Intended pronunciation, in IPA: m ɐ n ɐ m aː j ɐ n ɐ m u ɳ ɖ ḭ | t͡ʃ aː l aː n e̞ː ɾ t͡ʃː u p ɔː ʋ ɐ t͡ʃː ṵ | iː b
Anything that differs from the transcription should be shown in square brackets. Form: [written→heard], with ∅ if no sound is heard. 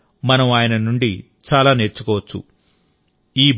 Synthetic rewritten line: m ɐ n ɐ m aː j ɐ n ɐ [m→n] u ɳ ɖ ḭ | t͡ʃ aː l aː n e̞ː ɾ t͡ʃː u [p→k] ɔː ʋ ɐ t͡ʃː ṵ | iː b